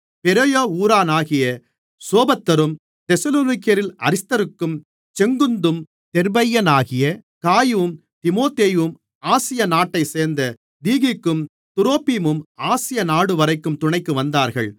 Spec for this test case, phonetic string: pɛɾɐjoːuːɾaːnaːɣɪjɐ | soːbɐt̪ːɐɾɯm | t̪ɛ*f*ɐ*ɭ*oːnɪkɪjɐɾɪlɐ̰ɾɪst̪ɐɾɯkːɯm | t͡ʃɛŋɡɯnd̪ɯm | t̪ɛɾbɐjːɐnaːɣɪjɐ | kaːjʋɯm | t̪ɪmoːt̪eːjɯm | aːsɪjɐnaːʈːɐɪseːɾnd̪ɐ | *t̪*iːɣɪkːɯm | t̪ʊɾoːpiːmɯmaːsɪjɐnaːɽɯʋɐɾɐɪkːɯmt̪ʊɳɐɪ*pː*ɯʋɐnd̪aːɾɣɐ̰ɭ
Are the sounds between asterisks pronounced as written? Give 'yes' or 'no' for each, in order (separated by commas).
no, no, no, no